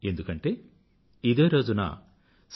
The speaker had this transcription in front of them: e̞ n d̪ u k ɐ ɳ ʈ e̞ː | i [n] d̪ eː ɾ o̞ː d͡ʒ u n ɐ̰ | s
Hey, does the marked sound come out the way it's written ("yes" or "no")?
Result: no